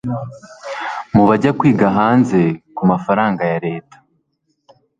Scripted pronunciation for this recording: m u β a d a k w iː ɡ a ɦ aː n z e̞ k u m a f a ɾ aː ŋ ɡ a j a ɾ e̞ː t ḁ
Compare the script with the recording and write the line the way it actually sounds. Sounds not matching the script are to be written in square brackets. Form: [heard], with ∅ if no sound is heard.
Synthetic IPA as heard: m u β a [ɟ] a k w iː ɡ a ɦ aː n z e̞ k u m a f a ɾ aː ŋ ɡ a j a ɾ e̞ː t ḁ